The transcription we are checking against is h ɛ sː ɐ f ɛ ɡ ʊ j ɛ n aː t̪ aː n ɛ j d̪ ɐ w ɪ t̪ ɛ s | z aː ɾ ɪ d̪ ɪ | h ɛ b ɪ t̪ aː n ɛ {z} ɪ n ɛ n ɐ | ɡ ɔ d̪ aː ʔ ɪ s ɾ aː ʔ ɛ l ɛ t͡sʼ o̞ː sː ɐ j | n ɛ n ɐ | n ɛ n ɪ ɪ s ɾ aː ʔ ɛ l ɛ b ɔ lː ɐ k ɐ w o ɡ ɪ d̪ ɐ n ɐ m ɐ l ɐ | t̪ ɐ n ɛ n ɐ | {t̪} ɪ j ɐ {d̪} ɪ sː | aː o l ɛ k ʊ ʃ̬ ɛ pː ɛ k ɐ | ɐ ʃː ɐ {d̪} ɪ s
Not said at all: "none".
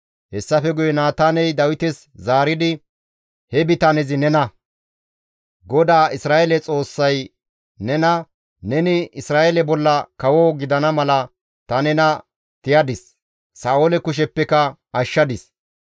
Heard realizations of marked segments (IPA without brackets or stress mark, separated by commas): z, t̪, d̪, d̪